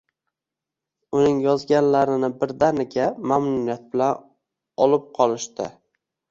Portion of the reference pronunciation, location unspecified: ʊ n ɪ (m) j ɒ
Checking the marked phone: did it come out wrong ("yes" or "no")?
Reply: yes